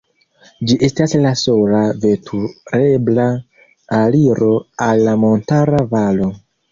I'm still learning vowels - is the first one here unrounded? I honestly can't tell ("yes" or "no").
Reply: yes